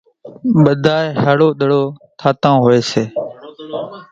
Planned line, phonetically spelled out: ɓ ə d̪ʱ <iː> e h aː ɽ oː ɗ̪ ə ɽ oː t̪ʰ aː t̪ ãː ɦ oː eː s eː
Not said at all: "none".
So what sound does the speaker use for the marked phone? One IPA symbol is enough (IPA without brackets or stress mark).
aː